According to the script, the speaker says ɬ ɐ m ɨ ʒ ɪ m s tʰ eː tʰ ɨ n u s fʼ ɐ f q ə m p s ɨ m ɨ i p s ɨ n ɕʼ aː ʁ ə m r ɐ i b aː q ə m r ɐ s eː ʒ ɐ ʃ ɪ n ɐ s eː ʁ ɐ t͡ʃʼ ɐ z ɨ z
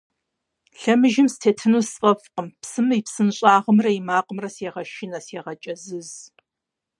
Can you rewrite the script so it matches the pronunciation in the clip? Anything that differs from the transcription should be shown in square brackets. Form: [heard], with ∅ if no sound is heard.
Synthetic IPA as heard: ɬ ɐ m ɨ ʒ ɪ m s tʰ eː tʰ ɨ n u s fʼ ɐ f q ə m p s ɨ m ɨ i p s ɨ n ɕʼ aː ʁ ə m r ɐ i [m] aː q ə m r ɐ s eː [ʁ] ɐ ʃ ɪ n ɐ s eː ʁ ɐ t͡ʃʼ ɐ z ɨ z